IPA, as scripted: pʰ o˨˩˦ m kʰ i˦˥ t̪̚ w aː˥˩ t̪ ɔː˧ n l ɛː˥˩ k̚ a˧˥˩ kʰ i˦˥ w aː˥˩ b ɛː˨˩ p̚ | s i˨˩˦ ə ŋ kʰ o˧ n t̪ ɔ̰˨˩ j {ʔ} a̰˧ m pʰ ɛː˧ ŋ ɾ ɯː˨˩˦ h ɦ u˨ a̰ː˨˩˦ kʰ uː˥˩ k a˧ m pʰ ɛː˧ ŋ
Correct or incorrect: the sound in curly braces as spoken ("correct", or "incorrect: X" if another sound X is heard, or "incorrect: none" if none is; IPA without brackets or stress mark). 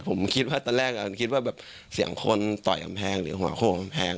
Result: incorrect: k